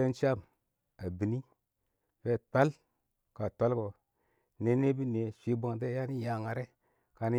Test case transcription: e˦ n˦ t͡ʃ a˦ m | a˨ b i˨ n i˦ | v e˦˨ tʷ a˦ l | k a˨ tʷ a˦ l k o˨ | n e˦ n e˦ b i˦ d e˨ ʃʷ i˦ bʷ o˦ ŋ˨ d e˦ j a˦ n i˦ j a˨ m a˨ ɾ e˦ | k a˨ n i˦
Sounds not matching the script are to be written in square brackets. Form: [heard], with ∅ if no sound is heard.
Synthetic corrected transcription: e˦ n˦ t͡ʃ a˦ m | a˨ b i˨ n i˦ | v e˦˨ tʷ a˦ l | k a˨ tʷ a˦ l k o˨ | n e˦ n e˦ b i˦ [n] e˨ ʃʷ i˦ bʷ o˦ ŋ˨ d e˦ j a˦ n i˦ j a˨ [ŋ] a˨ ɾ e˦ | k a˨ n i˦